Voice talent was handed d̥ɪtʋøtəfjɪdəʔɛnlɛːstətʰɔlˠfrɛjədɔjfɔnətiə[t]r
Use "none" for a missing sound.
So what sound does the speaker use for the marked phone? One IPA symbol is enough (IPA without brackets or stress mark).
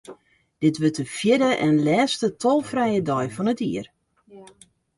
none